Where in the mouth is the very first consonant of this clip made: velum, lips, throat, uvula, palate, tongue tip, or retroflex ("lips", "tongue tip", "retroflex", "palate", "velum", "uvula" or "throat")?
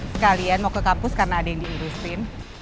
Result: tongue tip